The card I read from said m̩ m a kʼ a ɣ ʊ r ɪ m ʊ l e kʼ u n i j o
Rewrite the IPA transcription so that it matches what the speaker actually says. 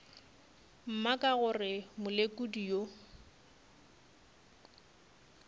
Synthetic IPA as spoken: m̩ m a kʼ a ɣ ʊ r ɪ m ʊ l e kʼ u d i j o